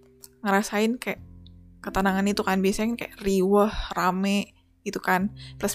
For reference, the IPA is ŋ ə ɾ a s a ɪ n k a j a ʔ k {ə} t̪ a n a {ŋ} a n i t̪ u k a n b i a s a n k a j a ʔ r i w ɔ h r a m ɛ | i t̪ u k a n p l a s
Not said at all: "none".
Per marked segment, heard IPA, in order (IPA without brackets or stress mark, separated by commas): ə, ŋ